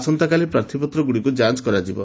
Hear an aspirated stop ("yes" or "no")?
yes